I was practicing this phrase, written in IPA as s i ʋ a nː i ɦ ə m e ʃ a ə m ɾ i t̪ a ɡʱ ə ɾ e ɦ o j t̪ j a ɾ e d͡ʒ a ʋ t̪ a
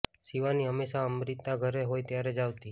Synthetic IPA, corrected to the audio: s i ʋ a n i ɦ ə m e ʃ a ə m ɾ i t̪ a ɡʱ ə ɾ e ɦ o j t̪ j a ɾ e d͡ʒ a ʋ t̪ i